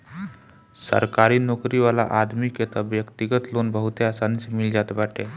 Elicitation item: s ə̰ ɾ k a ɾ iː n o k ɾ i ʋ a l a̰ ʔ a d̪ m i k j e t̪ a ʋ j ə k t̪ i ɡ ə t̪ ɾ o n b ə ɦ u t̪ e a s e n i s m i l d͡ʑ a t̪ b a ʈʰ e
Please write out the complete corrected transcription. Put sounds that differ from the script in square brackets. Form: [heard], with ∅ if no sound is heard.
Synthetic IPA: s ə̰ ɾ k a ɾ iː n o k ɾ i ʋ a l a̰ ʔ a d̪ m i k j e t̪ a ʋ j ə k t̪ i ɡ ə t̪ [l] o n b ə ɦ u t̪ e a s [a] n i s m i l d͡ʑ a t̪ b a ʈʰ e